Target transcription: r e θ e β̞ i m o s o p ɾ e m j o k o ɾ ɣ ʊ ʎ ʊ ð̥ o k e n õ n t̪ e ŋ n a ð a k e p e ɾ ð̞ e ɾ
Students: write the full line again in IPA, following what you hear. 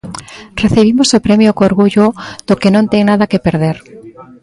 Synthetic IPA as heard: r e θ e β̞ i m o s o p ɾ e m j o k o ɾ ɣ u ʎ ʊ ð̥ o k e n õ n t̪ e ŋ n a ð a k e p e ɾ ð̞ e ɾ

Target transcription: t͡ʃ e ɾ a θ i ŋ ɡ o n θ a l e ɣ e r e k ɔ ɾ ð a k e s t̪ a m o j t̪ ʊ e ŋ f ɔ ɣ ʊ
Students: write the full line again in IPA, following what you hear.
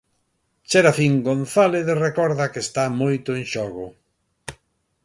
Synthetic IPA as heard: t͡ʃ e ɾ a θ i ŋ ɡ o n θ a l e ð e r e k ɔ ɾ ð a k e s t̪ a m o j t̪ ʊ e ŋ ʃ ɔ ɣ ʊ

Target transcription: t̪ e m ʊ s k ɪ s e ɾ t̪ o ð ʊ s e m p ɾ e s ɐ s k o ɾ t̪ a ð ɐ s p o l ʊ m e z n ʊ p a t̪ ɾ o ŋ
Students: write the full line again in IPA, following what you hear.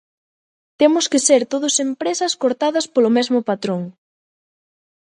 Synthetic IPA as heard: t̪ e m ʊ s k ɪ s e ɾ t̪ o ð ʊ s e m p ɾ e s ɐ s k o ɾ t̪ a ð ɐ s p o l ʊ m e z m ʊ p a t̪ ɾ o ŋ

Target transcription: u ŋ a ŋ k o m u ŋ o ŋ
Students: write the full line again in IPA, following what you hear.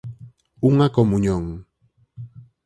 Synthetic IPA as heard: u ŋ a k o m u ɲ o ŋ

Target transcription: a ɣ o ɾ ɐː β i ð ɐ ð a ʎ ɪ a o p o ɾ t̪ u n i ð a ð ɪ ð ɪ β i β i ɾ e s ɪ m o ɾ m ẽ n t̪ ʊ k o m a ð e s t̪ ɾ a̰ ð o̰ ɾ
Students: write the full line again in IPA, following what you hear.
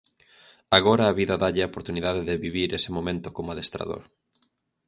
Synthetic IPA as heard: a ɣ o ɾ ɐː β i ð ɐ ð a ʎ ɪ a o p o ɾ t̪ u n i ð a ð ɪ ð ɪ β i β i ɾ e s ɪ m o m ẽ n t̪ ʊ k o m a ð e s t̪ ɾ a̰ ð o̰ ɾ

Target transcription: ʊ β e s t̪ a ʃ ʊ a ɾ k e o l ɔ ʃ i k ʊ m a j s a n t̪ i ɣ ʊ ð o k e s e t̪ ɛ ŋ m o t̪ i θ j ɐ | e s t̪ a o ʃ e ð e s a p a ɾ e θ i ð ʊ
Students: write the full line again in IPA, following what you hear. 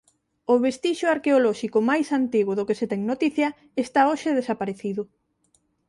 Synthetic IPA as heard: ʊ β e s t̪ i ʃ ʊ a ɾ k e o l ɔ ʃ i k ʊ m a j s a n t̪ i ɣ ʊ ð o k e s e t̪ ɛ ŋ n o t̪ i θ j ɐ | e s t̪ a o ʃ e ð e s a p a ɾ e θ i ð ʊ

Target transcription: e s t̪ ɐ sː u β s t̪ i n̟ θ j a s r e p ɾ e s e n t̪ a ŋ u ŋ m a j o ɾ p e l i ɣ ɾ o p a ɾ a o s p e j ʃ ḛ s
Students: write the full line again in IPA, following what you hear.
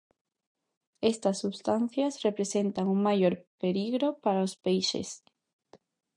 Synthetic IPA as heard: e s t̪ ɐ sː u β s t̪ a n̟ θ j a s r e p ɾ e s e n t̪ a ŋ u ŋ m a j o ɾ p e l i ɣ ɾ o p a ɾ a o s p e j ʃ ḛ s

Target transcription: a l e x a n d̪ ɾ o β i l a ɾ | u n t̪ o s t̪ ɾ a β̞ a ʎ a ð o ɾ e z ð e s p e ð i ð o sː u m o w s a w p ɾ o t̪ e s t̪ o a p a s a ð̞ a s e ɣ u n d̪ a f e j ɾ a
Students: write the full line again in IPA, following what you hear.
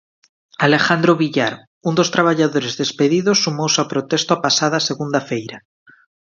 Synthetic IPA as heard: a l e x a n d̪ ɾ o β i ʎ a ɾ | u n d̪ o s t̪ ɾ a β̞ a ʎ a ð o ɾ e z ð e s p e ð i ð o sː u m o w s a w p ɾ o t̪ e s t̪ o a p a s a ð̞ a s e ɣ u n d̪ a f e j ɾ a

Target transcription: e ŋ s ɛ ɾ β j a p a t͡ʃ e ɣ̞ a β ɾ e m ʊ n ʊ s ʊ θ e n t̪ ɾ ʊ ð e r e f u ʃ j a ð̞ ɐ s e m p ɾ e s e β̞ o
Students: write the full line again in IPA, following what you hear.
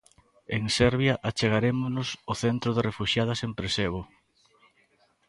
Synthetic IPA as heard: e ŋ s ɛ ɾ β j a ʔ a t͡ʃ e ɣ̞ a ɾ e m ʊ n ʊ s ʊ θ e n t̪ ɾ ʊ ð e r e f u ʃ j a ð̞ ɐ s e m p ɾ e s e β̞ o

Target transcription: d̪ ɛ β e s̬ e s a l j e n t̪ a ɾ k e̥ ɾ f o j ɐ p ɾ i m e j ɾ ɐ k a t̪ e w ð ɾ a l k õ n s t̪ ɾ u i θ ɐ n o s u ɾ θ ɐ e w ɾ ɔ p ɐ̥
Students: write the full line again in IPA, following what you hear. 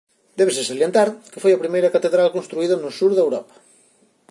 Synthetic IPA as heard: d̪ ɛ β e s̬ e s a l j e n t̪ a ɾ k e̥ f o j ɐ p ɾ i m e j ɾ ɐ k a t̪ e ð ɾ a l k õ n s t̪ ɾ u i ð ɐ n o s u ɾ ð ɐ e w ɾ ɔ p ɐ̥

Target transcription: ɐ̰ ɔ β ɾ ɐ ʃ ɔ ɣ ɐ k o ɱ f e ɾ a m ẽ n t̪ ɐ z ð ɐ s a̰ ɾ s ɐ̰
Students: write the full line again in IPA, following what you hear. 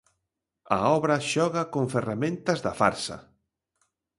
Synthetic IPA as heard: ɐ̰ ɔ β ɾ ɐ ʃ ɔ ɣ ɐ k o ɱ f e r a m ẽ n t̪ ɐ z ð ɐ f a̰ ɾ s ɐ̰

